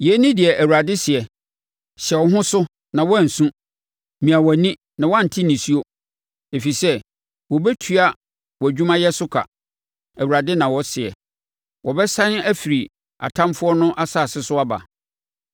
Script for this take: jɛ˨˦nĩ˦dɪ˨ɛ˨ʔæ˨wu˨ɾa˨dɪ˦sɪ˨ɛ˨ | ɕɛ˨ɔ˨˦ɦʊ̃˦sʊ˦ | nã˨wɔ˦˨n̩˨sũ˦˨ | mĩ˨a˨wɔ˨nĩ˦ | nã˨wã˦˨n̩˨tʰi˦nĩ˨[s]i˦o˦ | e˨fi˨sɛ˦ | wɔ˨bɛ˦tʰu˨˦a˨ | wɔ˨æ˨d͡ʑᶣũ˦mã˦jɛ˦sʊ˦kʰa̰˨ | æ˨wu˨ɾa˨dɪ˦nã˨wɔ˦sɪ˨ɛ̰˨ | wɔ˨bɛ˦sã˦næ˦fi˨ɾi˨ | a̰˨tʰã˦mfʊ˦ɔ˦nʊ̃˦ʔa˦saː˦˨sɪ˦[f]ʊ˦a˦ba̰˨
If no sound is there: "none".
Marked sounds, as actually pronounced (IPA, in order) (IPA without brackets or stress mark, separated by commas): s, s